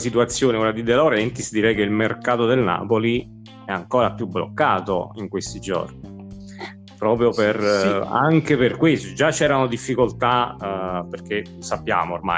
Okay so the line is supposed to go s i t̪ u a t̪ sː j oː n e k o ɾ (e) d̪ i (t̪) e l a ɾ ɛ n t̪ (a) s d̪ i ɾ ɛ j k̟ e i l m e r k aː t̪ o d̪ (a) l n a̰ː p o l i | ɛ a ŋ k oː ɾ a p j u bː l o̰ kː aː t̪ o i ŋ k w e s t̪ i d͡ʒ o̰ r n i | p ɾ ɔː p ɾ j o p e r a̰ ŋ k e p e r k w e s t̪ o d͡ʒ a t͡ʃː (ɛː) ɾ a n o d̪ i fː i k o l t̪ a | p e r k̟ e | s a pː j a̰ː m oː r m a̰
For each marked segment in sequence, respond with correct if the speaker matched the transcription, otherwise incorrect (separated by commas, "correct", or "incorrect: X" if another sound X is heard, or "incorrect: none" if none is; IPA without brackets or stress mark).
incorrect: a, incorrect: d̪, incorrect: i, incorrect: e, correct